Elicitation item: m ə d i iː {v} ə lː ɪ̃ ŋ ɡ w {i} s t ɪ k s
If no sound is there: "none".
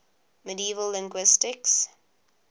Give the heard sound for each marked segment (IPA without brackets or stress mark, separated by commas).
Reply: v, ɪ